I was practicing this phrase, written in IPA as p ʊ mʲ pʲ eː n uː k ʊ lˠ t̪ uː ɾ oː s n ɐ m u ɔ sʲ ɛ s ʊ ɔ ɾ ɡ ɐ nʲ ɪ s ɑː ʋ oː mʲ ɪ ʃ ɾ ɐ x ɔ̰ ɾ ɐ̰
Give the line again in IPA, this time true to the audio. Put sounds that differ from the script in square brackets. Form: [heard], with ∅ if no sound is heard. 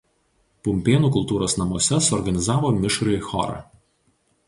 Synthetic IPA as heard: p ʊ mʲ pʲ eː n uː k ʊ lˠ t̪ uː ɾ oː s n ɐ m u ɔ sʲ ɛ s ʊ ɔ ɾ ɡ ɐ nʲ ɪ [z] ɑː ʋ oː mʲ ɪ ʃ ɾ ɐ x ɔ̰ ɾ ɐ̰